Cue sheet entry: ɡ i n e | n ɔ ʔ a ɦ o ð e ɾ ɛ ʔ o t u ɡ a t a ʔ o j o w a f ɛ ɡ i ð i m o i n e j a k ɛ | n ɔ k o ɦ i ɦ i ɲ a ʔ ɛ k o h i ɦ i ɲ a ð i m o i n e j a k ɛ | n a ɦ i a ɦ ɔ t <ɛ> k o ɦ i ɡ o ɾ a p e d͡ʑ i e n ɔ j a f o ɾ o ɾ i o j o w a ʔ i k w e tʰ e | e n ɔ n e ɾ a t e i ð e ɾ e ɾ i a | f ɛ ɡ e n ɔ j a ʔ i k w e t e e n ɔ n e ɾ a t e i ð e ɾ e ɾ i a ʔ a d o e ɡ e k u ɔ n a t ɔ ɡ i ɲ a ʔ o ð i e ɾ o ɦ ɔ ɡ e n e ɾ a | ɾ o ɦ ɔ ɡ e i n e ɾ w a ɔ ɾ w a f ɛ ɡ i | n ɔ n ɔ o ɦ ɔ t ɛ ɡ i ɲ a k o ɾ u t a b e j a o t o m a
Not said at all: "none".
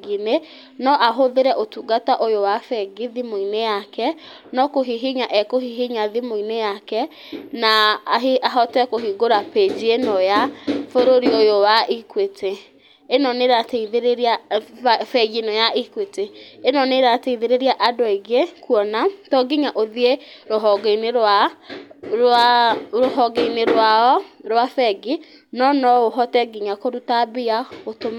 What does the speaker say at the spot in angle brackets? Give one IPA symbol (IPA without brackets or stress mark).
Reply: ɛ